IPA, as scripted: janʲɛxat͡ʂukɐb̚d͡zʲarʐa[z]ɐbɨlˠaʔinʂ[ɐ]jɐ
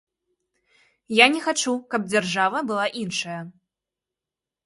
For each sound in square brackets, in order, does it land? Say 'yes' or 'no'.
no, yes

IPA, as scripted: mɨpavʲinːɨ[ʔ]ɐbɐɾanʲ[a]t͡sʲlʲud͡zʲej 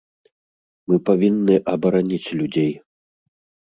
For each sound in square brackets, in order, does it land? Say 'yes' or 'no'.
yes, no

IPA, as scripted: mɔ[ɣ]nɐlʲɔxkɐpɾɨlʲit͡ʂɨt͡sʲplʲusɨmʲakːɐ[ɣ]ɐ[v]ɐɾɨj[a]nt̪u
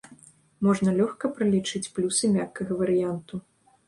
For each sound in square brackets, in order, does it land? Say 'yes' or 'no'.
no, yes, yes, yes

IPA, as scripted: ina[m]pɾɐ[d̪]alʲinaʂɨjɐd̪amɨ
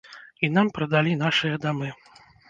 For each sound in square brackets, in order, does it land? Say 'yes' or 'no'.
yes, yes

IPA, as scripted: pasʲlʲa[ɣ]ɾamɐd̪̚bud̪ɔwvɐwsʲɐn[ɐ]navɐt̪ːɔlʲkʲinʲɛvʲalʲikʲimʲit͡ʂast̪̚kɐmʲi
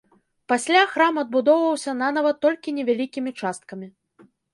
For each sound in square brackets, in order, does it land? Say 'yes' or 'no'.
no, no

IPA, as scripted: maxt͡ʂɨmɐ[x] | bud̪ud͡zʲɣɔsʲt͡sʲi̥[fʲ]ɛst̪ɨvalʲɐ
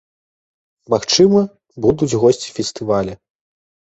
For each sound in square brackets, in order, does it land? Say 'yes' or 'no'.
no, yes

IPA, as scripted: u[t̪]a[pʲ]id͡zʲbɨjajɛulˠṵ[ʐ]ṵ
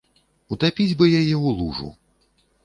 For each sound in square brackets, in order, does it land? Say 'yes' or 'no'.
yes, yes, yes

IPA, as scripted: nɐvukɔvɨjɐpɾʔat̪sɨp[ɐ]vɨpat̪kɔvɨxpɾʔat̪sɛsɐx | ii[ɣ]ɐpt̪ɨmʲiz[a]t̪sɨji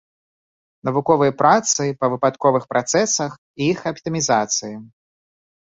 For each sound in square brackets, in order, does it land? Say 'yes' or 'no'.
yes, no, yes

